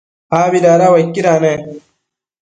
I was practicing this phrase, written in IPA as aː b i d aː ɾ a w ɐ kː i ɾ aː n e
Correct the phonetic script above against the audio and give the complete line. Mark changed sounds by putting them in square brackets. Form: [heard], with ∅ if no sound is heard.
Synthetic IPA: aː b i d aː ɾ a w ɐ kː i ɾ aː n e

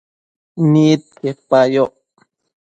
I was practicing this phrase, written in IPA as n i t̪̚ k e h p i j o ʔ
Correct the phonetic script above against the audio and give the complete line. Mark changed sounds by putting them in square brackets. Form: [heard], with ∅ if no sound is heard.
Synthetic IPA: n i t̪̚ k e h p [a] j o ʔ

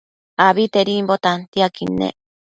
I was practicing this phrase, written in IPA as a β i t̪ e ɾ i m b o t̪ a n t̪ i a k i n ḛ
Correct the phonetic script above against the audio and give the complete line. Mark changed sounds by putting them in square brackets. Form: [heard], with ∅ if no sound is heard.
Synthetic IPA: a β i t̪ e ɾ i m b o t̪ a n t̪ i a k i n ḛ

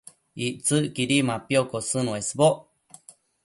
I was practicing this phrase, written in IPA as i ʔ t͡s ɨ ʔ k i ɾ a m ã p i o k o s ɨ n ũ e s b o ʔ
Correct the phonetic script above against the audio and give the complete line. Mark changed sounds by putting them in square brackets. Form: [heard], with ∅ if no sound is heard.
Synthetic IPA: i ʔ t͡s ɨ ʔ k i ɾ [i] m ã p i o k o s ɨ n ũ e s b o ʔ

